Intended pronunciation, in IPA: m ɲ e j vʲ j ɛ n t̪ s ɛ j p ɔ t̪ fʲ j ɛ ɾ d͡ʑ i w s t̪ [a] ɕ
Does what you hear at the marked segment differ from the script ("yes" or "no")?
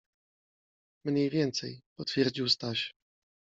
no